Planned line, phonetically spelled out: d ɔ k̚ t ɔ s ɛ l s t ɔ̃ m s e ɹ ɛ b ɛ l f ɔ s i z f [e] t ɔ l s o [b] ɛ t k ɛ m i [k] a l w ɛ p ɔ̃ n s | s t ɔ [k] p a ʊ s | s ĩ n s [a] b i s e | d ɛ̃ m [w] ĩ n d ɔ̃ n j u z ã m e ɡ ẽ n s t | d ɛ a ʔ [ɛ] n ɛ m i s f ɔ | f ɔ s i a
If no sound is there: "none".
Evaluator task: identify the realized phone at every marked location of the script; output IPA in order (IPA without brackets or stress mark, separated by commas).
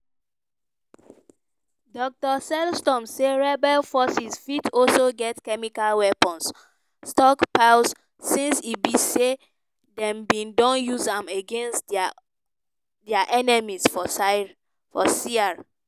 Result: i, ɡ, k, k, i, b, ɛ